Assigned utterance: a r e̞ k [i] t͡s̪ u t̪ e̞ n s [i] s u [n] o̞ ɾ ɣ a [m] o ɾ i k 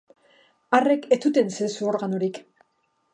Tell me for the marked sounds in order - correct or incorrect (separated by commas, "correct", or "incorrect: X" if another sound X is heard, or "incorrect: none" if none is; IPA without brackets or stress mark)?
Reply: incorrect: e, incorrect: e, incorrect: none, incorrect: n